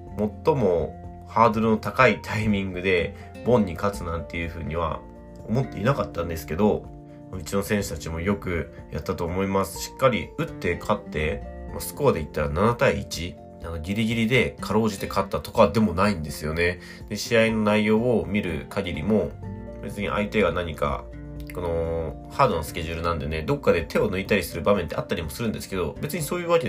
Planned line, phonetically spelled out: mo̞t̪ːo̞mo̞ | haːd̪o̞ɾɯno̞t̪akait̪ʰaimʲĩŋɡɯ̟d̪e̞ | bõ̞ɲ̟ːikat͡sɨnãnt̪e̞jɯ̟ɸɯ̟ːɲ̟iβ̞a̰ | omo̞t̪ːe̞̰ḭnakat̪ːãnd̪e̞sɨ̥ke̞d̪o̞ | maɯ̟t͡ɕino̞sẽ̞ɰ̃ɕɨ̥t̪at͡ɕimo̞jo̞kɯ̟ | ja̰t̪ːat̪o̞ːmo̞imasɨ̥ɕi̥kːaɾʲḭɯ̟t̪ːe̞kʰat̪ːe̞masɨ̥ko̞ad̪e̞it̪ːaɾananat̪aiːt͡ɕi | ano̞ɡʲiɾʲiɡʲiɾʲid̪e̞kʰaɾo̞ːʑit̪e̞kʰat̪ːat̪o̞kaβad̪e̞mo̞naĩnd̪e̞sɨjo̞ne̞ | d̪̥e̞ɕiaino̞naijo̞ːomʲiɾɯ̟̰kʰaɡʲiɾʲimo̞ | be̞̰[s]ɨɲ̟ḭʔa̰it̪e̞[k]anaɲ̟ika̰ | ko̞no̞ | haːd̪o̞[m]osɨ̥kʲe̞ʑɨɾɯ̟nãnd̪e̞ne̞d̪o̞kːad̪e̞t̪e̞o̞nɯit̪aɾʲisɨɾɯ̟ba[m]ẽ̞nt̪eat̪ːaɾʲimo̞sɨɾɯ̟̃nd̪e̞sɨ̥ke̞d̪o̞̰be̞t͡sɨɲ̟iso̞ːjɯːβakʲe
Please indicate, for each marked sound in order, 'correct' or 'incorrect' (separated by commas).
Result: incorrect, incorrect, incorrect, correct